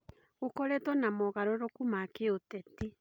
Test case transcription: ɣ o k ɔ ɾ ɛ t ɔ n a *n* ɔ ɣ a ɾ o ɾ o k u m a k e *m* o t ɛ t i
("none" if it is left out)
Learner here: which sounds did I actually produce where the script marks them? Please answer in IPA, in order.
m, none

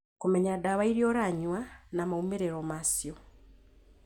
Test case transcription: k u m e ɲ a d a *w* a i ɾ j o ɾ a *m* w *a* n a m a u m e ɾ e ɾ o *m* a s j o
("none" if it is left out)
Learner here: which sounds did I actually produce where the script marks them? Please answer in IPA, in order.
β, ɲ, a, m

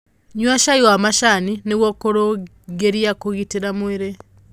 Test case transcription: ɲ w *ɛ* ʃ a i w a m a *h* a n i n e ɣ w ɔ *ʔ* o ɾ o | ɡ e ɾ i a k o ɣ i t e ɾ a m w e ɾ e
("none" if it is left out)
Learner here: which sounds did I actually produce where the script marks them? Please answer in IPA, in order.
a, ʃ, k

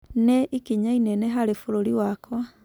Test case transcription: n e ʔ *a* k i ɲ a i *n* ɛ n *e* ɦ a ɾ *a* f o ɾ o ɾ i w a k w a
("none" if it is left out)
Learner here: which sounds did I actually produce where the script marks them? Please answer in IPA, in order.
i, n, e, e

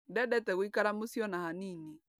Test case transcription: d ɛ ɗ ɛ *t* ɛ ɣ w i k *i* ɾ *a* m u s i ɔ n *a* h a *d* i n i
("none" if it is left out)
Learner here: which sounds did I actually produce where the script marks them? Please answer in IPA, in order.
t, a, a, a, n

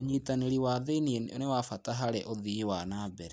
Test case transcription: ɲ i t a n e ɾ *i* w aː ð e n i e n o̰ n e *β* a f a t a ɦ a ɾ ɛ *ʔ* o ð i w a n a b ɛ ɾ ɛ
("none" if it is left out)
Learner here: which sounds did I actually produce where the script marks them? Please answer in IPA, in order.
i, w, ʔ

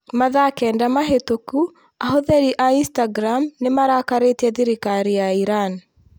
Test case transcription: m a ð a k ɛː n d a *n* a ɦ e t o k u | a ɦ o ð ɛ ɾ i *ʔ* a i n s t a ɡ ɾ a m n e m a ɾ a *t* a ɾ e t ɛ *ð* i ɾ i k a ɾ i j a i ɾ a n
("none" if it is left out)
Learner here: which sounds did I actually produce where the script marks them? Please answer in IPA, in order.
m, ʔ, k, ð

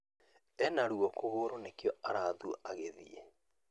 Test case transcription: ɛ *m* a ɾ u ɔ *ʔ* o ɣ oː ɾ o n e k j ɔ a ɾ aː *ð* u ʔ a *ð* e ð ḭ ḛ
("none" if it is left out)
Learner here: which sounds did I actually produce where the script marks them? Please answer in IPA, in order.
n, k, ð, ɣ

